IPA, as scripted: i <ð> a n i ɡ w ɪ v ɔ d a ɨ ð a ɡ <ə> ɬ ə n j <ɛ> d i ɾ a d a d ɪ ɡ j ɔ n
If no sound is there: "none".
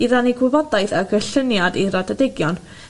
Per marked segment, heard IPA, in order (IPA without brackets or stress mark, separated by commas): ð, ə, a